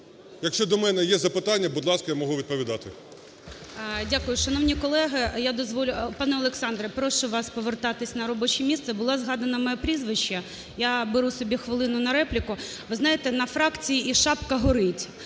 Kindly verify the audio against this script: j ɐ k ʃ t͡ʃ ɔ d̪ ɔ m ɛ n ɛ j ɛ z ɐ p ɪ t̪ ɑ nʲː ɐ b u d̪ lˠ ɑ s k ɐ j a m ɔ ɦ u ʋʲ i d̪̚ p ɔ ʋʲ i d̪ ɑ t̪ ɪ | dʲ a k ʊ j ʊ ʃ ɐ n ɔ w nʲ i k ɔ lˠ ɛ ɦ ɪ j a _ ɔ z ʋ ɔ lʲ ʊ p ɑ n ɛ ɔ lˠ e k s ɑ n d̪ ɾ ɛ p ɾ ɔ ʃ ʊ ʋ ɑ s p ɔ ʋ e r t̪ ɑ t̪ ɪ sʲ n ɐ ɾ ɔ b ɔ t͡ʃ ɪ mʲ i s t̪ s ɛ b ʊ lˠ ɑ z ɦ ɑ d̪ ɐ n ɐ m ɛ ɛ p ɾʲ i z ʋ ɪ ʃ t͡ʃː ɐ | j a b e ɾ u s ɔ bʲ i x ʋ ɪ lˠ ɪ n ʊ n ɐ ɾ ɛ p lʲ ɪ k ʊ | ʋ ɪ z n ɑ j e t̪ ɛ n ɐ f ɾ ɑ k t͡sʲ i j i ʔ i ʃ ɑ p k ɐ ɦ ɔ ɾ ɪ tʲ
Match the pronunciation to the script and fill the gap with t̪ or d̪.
d̪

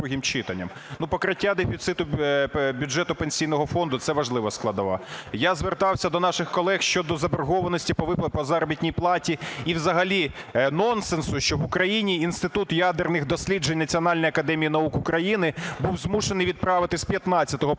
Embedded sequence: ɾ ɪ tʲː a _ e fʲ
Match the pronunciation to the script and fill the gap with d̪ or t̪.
d̪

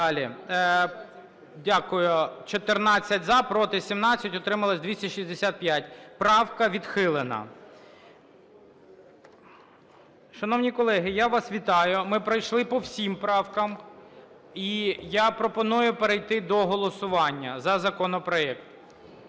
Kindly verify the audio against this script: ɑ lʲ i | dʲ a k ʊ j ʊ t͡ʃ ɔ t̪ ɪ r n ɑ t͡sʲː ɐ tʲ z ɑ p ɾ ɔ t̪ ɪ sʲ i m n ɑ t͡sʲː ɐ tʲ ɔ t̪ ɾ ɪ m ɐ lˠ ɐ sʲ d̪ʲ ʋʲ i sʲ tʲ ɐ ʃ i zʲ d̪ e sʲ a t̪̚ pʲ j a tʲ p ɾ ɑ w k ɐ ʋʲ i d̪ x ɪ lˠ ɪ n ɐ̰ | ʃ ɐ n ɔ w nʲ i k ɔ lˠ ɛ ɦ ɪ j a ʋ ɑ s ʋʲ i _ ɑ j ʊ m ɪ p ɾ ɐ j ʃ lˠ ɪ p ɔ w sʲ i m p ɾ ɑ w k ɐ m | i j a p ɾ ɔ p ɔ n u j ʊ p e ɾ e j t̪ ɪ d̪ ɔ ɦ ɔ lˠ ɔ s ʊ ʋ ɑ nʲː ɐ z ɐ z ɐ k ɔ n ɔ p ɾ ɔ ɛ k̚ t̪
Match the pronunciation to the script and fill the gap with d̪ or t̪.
t̪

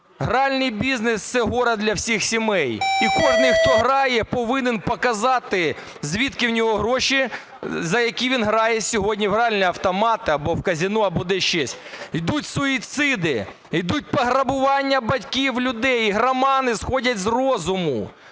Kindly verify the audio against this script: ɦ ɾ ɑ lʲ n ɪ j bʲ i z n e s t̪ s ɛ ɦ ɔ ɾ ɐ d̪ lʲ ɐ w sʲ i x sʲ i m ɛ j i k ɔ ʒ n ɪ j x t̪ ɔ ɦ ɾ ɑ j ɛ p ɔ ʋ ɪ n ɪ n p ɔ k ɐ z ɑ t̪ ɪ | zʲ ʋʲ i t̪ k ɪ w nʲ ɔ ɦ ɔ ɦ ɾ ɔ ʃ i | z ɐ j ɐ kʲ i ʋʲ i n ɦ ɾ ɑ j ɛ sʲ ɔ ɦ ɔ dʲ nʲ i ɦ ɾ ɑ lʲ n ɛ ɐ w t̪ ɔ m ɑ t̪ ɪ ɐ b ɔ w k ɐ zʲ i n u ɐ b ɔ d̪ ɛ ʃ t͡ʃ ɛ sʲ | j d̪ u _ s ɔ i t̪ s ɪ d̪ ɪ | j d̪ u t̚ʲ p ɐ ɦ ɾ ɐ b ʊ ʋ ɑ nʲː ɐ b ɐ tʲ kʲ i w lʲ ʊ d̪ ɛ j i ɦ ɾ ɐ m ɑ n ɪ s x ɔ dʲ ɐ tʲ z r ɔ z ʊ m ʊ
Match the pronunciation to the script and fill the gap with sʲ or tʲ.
tʲ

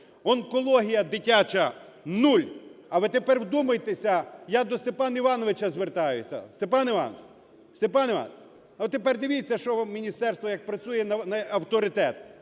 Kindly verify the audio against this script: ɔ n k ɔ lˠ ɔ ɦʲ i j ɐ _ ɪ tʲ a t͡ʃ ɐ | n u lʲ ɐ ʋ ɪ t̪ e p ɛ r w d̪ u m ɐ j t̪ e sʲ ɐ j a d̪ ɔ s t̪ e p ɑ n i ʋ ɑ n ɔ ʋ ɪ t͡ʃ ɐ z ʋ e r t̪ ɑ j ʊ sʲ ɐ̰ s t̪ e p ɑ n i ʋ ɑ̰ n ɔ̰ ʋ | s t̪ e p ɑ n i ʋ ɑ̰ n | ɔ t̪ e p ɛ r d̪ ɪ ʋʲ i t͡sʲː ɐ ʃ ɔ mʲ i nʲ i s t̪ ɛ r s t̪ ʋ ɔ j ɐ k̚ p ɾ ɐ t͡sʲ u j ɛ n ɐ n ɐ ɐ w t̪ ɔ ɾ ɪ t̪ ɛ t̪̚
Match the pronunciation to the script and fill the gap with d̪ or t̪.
d̪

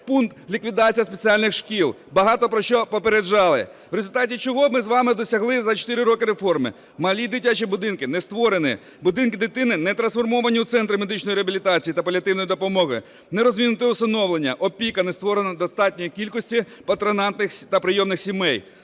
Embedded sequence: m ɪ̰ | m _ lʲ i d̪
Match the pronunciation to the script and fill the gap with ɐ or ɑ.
ɐ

